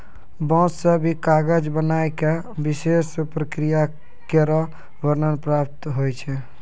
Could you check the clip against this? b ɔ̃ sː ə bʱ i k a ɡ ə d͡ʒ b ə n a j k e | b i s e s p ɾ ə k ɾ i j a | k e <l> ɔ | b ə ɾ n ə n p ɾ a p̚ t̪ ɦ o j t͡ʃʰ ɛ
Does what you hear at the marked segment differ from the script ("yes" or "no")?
yes